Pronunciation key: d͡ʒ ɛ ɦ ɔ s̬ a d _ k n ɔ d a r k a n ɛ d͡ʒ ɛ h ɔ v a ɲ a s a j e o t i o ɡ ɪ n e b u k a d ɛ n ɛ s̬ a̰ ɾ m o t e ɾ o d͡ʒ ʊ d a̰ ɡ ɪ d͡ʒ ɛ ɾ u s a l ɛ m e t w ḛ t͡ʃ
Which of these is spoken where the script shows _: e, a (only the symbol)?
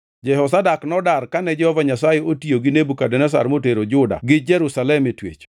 a